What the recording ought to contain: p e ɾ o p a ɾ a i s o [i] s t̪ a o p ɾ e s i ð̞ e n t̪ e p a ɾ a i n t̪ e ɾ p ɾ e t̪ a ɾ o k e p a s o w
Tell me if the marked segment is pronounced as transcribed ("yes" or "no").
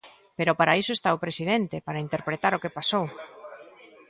no